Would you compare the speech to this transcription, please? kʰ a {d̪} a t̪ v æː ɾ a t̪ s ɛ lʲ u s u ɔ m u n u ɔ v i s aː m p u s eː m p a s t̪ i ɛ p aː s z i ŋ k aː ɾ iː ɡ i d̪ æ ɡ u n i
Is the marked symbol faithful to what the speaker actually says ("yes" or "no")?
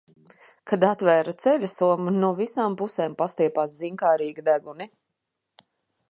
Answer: yes